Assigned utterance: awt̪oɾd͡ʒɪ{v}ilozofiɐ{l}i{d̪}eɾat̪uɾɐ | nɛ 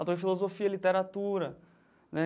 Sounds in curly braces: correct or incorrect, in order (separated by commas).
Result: incorrect, correct, incorrect